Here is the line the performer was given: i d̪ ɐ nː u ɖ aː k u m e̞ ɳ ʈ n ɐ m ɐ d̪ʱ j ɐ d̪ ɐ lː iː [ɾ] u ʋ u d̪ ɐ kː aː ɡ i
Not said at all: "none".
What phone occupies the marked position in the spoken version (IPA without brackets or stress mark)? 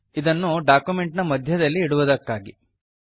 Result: ɽ